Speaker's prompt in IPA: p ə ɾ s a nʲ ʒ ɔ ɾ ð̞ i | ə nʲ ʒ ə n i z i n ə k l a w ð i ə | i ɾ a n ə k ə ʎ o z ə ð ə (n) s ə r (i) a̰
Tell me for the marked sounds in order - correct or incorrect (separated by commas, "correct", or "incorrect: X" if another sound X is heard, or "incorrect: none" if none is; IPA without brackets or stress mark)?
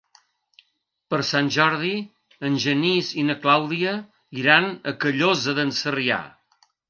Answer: correct, correct